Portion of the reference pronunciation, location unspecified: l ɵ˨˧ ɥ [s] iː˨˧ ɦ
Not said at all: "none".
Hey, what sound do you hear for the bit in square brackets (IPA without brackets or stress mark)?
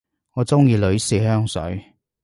s